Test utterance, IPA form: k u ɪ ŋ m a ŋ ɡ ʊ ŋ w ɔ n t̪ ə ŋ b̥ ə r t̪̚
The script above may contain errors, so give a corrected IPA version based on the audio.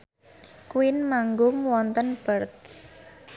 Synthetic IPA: k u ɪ n m a ŋ ɡ ʊ ŋ w ɔ n t̪ ə n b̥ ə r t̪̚